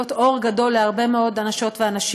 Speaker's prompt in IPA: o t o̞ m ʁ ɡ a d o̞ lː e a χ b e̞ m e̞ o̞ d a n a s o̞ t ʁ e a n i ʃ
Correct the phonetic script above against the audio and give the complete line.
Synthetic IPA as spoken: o t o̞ ʁ ɡ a d o̞ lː e a ʁ b e̞ m e̞ o̞ d a n a ʃ o̞ t v e a n a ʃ